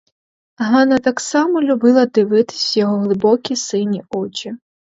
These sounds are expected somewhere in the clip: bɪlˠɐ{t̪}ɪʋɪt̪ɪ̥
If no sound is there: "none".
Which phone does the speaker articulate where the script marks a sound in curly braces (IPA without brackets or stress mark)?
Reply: d̪